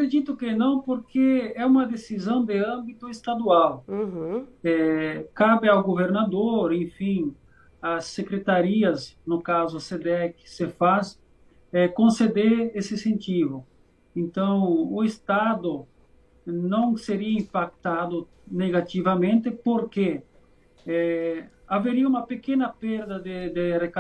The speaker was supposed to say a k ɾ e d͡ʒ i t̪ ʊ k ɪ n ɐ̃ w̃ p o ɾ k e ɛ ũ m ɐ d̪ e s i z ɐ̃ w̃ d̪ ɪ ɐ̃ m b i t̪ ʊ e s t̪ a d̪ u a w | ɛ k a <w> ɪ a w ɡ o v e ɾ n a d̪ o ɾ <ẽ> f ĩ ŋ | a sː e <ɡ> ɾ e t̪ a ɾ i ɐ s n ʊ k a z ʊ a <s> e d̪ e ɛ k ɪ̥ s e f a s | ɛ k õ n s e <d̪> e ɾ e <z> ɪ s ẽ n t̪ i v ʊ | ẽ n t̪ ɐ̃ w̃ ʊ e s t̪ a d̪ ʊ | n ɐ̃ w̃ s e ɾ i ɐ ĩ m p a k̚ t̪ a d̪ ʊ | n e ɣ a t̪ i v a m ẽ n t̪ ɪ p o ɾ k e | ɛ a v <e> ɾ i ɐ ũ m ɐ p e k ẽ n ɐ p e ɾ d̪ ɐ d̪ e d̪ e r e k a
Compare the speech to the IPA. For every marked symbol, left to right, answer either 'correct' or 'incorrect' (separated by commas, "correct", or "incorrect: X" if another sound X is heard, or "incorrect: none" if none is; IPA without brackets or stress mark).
incorrect: b, correct, incorrect: k, correct, correct, incorrect: s, correct